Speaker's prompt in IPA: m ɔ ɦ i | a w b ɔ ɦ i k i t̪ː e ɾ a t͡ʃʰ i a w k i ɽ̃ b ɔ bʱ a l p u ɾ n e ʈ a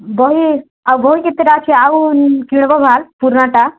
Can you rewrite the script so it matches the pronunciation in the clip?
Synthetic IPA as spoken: b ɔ ɦ i | a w b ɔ ɦ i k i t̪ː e ɾ a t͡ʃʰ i a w k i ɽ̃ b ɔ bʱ a l p u ɾ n a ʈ a